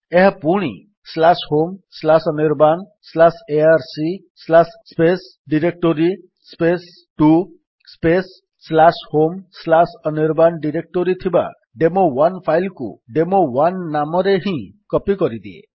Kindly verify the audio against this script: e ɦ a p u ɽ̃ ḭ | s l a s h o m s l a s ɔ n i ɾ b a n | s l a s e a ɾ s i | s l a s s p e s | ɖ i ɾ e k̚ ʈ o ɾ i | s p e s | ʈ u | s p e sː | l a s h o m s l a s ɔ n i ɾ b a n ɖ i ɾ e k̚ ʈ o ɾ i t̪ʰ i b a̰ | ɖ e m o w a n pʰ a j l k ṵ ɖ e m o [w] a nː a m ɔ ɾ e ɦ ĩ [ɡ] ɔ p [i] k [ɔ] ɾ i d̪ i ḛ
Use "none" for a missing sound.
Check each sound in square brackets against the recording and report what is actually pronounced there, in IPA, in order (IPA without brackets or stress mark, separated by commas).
w, k, i, ɔ